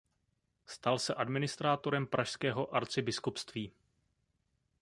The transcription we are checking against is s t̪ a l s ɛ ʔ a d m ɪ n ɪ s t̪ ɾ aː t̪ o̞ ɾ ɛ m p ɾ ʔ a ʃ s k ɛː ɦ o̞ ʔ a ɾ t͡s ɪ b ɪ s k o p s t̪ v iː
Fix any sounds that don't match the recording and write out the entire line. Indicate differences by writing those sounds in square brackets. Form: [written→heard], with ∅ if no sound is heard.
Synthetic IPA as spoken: s t̪ a l s ɛ ʔ a d m ɪ n ɪ s t̪ ɾ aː t̪ o̞ ɾ ɛ m p ɾ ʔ a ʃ s k ɛː ɦ o̞ ʔ a ɾ t͡s ɪ b ɪ s k [o→u] p s t̪ v iː